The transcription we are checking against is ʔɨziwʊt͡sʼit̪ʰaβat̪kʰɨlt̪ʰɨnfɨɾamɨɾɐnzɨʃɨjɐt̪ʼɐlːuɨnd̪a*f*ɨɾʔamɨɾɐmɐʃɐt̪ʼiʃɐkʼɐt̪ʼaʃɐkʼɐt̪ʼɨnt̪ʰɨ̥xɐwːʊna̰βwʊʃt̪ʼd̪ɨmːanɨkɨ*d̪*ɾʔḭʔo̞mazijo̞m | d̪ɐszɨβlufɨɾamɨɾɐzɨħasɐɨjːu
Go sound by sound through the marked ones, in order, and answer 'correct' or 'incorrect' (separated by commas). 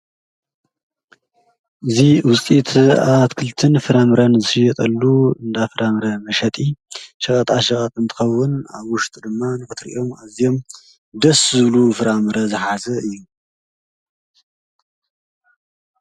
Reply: correct, incorrect